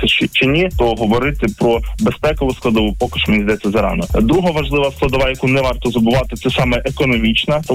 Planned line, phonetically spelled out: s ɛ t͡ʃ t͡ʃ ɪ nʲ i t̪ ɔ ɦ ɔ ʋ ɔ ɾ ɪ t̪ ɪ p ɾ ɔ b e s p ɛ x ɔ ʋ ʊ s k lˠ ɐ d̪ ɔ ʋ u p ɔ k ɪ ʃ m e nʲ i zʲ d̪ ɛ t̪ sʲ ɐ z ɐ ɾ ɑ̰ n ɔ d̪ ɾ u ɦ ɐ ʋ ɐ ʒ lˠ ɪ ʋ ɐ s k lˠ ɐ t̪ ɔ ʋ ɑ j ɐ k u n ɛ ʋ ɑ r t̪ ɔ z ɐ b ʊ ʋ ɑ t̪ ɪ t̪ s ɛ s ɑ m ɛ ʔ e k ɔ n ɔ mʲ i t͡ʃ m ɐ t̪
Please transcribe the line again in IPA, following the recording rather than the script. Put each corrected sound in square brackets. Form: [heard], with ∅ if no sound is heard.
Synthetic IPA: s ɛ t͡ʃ t͡ʃ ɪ nʲ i t̪ ɔ ɦ ɔ ʋ ɔ ɾ ɪ t̪ ɪ p ɾ ɔ b e s p ɛ [k] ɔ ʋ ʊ s k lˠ ɐ d̪ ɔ ʋ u p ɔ k ɪ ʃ m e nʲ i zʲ d̪ ɛ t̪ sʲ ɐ z ɐ ɾ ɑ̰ n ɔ d̪ ɾ u ɦ ɐ ʋ ɐ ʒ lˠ ɪ ʋ ɐ s k lˠ ɐ [d̪] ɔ ʋ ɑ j ɐ k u n ɛ ʋ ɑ r t̪ ɔ z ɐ b ʊ ʋ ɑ t̪ ɪ t̪ s ɛ s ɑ m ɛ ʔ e k ɔ n ɔ mʲ i t͡ʃ [n] ɐ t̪